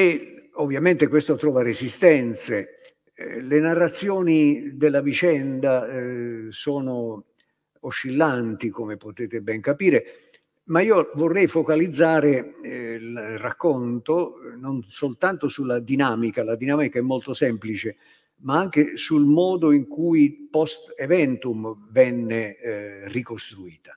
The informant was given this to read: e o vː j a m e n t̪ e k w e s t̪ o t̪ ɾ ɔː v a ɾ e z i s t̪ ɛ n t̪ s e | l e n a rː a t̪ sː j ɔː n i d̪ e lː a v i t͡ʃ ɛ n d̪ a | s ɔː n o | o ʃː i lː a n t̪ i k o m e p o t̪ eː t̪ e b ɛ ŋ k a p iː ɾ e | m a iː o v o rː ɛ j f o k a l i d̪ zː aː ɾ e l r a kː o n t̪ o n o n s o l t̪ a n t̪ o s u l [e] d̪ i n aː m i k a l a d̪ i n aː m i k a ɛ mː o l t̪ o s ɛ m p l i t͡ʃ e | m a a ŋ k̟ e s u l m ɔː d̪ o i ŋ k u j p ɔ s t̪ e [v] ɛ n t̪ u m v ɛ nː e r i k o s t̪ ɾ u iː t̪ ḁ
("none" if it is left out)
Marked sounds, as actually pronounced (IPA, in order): a, v

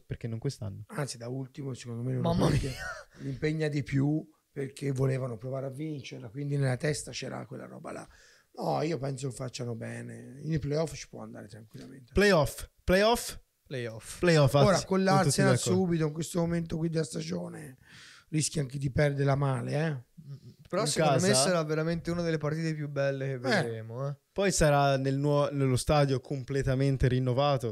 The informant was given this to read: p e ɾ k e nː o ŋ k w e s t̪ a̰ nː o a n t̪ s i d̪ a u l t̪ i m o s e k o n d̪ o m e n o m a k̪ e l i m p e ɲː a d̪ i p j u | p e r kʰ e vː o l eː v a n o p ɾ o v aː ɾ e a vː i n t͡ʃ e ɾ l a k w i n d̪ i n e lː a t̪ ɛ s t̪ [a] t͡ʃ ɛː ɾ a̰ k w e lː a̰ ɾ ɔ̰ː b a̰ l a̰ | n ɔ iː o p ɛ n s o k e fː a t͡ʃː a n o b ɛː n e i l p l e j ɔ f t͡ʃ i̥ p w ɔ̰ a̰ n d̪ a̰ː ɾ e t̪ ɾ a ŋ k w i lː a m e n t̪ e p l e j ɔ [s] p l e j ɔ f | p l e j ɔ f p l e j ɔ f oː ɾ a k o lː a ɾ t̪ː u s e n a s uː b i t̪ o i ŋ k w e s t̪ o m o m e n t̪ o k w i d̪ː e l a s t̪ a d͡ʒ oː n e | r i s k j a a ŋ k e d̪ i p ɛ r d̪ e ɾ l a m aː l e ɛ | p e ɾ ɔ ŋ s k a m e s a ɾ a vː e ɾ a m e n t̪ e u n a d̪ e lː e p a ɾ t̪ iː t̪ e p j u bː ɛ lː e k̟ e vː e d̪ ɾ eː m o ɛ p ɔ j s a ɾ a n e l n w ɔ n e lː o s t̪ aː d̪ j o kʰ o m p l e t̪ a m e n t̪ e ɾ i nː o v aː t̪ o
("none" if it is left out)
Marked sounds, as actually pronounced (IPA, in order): a, f

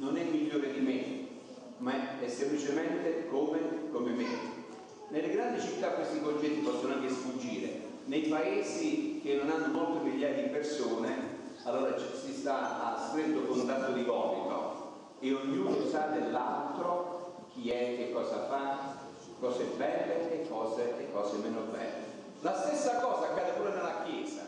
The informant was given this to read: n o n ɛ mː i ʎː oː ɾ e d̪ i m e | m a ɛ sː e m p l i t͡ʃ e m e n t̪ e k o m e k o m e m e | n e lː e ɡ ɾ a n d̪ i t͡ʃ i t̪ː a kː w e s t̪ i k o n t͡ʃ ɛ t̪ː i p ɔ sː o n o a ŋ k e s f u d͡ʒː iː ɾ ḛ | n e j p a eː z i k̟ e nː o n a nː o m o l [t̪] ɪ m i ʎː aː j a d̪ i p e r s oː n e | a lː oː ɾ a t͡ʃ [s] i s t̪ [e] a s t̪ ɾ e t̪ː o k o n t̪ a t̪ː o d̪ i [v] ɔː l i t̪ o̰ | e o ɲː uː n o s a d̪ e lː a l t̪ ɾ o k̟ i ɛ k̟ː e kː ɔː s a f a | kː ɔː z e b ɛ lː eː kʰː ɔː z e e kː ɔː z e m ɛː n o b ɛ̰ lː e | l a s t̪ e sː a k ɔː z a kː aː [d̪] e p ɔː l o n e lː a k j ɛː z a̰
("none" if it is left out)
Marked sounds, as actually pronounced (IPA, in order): t̪, s, a, v, d̪

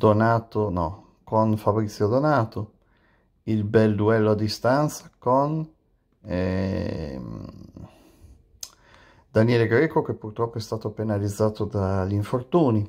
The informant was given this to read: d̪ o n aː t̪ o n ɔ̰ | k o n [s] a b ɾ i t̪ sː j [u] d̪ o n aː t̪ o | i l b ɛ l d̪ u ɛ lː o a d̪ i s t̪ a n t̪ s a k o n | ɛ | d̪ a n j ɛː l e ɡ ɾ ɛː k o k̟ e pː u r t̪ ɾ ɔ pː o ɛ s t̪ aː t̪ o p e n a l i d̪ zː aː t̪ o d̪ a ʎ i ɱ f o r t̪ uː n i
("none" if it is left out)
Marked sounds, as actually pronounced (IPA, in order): f, o

